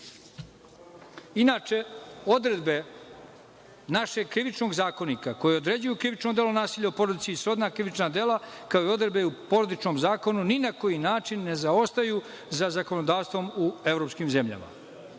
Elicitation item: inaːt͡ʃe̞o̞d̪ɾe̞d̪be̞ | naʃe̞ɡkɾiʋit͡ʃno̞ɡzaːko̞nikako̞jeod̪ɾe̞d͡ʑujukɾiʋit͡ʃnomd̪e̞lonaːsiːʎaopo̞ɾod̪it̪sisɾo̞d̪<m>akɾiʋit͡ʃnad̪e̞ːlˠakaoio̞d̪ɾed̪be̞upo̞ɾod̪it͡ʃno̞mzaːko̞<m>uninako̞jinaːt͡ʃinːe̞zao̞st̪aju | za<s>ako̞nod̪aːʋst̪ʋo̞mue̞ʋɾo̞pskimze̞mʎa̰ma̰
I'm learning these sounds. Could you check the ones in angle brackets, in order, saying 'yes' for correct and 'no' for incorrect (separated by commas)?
no, no, no